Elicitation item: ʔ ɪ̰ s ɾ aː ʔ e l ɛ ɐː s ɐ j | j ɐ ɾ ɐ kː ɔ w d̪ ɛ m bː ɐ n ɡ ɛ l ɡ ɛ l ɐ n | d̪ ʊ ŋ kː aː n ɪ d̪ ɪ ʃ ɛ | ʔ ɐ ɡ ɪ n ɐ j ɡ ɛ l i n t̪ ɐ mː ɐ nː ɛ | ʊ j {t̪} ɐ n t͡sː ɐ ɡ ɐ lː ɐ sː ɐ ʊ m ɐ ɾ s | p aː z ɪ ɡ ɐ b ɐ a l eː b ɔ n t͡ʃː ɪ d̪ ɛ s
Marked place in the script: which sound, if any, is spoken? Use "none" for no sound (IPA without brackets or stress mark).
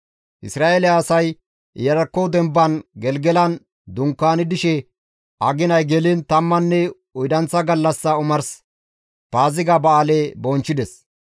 d̪